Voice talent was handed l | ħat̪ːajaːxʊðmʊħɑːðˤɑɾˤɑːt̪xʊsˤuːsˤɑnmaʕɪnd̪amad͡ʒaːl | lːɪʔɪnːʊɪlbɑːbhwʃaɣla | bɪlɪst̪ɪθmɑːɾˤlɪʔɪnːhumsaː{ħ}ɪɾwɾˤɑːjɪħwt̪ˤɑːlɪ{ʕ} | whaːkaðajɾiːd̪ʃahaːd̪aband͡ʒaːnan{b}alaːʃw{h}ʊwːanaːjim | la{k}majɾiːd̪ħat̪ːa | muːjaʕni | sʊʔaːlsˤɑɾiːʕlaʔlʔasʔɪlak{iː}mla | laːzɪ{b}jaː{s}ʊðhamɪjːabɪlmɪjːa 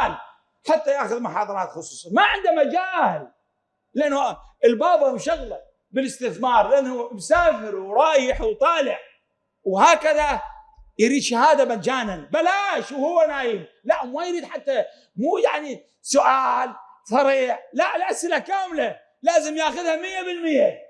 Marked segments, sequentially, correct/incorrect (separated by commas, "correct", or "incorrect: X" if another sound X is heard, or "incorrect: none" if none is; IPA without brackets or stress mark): incorrect: f, correct, correct, correct, incorrect: ʔ, incorrect: aː, incorrect: m, incorrect: x